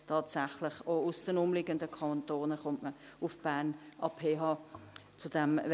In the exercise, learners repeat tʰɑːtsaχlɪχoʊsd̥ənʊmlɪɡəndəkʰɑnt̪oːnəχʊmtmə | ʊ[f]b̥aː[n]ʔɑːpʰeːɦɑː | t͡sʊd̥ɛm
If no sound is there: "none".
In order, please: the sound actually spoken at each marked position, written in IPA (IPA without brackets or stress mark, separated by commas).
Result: f, n